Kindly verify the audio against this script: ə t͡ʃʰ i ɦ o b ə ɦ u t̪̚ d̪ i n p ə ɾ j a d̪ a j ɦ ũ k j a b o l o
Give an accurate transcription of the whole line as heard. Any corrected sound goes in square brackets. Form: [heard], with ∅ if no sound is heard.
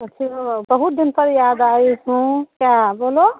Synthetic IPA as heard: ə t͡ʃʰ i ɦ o b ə ɦ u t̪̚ d̪ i n p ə ɾ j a d̪ a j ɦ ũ k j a b o l o